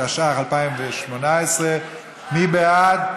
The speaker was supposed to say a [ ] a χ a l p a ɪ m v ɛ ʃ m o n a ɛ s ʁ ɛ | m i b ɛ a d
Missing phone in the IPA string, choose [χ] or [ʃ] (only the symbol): ʃ